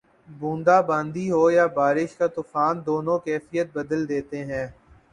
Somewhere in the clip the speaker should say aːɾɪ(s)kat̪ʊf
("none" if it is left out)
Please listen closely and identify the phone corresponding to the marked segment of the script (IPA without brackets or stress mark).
ʃ